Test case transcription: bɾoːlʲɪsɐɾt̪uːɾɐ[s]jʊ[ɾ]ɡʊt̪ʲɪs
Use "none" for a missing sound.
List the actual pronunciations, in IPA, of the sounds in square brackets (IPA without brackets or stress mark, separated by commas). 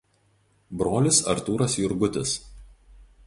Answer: s, ɾ